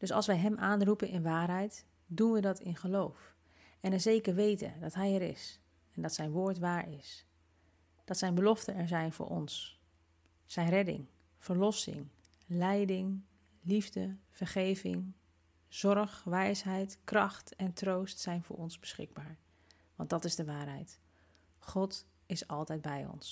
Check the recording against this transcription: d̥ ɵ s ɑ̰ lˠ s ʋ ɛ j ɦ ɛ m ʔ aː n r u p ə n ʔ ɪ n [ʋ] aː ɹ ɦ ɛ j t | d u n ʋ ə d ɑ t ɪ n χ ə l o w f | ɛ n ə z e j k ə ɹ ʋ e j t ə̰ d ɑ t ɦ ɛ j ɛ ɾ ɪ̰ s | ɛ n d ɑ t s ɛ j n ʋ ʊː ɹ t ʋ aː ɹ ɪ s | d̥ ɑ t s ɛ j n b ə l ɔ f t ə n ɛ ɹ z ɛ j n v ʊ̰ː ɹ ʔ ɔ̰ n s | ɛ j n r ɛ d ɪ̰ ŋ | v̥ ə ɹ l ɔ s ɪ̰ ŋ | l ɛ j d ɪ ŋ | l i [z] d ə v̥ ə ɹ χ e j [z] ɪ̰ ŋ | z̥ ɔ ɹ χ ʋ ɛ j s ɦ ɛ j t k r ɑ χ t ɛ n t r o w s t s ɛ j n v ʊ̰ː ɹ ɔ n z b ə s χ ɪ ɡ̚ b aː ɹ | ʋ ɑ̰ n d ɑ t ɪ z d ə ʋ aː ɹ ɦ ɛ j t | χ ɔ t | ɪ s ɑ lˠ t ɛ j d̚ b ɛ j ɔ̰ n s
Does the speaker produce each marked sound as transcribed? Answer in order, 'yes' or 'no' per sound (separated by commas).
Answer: yes, no, no